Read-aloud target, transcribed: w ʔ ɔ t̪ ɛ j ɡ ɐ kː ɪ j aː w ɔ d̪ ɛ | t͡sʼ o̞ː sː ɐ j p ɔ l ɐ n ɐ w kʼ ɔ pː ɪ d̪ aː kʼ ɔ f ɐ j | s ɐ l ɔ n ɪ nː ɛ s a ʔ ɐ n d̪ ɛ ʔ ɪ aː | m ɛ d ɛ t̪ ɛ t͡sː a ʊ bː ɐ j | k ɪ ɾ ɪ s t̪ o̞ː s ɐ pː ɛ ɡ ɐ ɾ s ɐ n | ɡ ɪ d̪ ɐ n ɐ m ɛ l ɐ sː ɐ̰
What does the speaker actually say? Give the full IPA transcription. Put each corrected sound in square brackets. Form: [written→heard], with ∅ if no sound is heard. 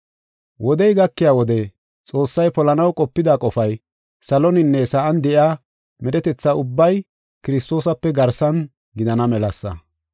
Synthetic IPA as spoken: w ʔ ɔ [t̪→d̪] ɛ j ɡ ɐ kː ɪ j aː w ɔ d̪ ɛ | t͡sʼ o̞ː sː ɐ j p ɔ l ɐ n ɐ w kʼ ɔ pː ɪ d̪ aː kʼ ɔ f ɐ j | s ɐ l ɔ n ɪ nː ɛ s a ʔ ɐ n d̪ ɛ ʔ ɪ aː | m ɛ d ɛ t̪ ɛ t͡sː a ʊ bː ɐ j | k ɪ ɾ ɪ s t̪ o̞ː s ɐ pː ɛ ɡ ɐ ɾ s ɐ n | ɡ ɪ d̪ ɐ n ɐ m ɛ l ɐ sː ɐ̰

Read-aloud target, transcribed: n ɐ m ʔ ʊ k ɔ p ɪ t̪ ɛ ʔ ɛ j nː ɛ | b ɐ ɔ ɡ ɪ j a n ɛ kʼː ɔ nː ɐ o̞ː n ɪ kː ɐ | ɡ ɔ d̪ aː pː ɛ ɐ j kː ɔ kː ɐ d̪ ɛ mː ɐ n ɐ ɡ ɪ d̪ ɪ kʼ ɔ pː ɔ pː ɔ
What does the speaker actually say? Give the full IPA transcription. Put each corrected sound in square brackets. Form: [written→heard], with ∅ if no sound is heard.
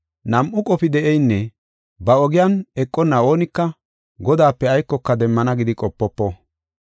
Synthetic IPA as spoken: n ɐ m ʔ ʊ [k→kʼ] ɔ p ɪ [t̪→d̪] ɛ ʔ ɛ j nː ɛ | b ɐ ɔ ɡ ɪ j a n ɛ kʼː ɔ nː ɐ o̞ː n ɪ kː ɐ | ɡ ɔ d̪ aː pː ɛ ɐ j kː ɔ kː ɐ d̪ ɛ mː ɐ n ɐ ɡ ɪ d̪ ɪ kʼ ɔ pː ɔ pː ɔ

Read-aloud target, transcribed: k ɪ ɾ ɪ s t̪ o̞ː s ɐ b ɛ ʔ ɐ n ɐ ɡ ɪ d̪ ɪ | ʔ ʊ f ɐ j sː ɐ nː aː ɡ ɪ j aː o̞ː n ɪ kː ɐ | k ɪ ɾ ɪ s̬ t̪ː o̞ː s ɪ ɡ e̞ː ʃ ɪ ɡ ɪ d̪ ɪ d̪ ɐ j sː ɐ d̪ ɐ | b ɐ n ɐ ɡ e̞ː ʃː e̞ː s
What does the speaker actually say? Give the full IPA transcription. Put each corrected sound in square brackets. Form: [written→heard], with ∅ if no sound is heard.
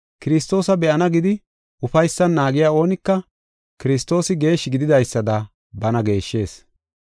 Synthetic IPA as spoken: k ɪ ɾ ɪ s t̪ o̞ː s ɐ b ɛ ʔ ɐ n ɐ ɡ ɪ d̪ ɪ | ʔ ʊ f ɐ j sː ɐ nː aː ɡ ɪ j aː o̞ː n ɪ kː ɐ | k ɪ ɾ ɪ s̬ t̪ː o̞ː s ɪ ɡ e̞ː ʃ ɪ ɡ ɪ d̪ ɪ d̪ ɐ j sː ɐ d̪ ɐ | b ɐ n ɐ ɡ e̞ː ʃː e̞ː s

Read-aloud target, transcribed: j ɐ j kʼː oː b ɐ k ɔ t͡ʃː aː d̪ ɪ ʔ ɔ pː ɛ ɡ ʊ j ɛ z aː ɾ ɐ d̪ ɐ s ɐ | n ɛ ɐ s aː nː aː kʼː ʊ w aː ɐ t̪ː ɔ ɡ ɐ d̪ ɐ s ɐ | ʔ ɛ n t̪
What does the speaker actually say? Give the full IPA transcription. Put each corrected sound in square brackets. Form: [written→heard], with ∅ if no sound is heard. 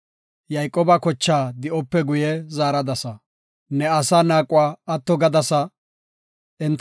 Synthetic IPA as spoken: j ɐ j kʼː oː b ɐ k ɔ t͡ʃː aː d̪ ɪ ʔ ɔ pː ɛ ɡ ʊ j ɛ z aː ɾ ɐ d̪ ɐ s ɐ | n ɛ ɐ s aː [nː→n] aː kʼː ʊ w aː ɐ t̪ː ɔ ɡ ɐ d̪ ɐ s ɐ | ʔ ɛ n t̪

